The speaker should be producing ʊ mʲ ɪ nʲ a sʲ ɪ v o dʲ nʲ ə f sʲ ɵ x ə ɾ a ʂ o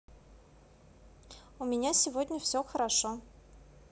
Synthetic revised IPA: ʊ mʲ ɪ nʲ a sʲ ɪ v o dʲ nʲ ə f sʲ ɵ x ə ɾ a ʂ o